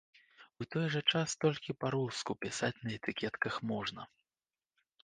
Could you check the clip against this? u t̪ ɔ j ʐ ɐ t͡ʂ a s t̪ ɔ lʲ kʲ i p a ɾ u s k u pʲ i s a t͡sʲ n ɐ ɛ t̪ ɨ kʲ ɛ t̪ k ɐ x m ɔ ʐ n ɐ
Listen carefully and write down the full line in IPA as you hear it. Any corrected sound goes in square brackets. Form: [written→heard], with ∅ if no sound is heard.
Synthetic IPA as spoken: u t̪ ɔ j ʐ ɐ t͡ʂ a s t̪ ɔ lʲ kʲ i p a ɾ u s k u pʲ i s a t͡sʲ n ɐ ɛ t̪ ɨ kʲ ɛ t̪ k ɐ x m ɔ ʐ n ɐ